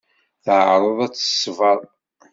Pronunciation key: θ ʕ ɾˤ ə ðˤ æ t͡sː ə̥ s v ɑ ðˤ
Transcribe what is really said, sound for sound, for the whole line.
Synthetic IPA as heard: θ ʕ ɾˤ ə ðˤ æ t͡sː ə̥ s v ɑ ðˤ